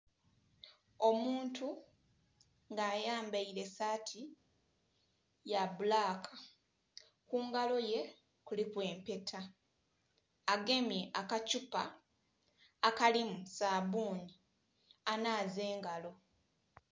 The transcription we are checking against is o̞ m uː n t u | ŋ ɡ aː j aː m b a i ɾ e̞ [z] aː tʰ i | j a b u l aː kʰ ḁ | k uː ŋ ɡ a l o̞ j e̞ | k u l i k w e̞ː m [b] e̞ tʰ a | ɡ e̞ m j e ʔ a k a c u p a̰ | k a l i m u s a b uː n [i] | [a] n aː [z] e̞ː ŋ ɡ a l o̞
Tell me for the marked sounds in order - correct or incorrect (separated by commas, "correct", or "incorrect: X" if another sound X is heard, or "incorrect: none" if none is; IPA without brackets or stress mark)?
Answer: incorrect: s, incorrect: p, correct, correct, correct